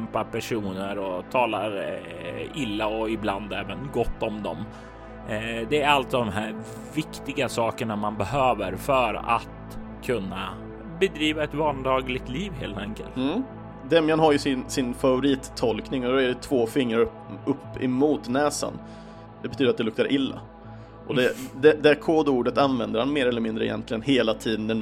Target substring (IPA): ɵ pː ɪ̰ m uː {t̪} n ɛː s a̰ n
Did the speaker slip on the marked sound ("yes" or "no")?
no